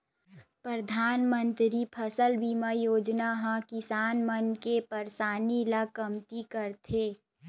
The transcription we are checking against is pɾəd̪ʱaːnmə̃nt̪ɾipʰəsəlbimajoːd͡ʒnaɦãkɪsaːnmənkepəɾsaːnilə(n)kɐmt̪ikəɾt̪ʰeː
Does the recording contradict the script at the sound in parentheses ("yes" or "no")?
yes